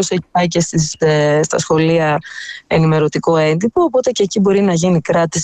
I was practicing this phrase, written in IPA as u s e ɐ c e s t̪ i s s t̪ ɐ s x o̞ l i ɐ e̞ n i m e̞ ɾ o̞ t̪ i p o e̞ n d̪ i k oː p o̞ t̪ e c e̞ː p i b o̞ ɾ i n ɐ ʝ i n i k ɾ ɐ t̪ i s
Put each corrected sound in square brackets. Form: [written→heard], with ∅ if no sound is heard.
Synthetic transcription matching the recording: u s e ɐ c e s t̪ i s s t̪ ɐ s x o̞ l i ɐ e̞ n i m e̞ ɾ o̞ t̪ i [p→k] o e̞ n d̪ i [k→p] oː p o̞ t̪ e c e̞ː [p→c] i b o̞ ɾ i n ɐ ʝ i n i k ɾ ɐ t̪ i s